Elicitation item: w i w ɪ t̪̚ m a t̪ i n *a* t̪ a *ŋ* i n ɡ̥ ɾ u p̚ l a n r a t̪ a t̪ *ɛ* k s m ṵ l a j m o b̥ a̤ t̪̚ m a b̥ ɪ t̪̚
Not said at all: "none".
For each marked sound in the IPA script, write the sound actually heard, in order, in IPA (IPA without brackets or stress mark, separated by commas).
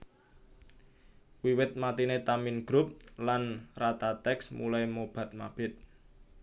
e, m, ɛ